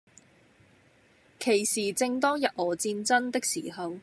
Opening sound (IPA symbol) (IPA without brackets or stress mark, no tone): kʰ